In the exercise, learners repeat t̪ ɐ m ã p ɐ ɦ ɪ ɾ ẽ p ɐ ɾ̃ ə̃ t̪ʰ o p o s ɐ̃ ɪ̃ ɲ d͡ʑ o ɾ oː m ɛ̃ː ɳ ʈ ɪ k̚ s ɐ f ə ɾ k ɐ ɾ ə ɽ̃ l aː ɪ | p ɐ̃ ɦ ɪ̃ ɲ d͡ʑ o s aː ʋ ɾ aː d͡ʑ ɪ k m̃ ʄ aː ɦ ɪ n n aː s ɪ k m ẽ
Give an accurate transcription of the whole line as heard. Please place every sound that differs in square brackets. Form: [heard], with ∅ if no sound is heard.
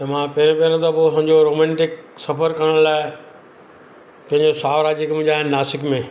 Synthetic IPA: t̪ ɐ m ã p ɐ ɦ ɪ ɾ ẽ p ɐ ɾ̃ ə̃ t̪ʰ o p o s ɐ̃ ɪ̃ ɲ d͡ʑ o ɾ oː m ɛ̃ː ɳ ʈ ɪ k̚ s ɐ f ə ɾ k ɐ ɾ ə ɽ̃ l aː ɪ | p ɐ̃ ɦ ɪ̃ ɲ d͡ʑ o s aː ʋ ɾ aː d͡ʑ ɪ k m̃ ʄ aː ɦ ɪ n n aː s ɪ k m ẽ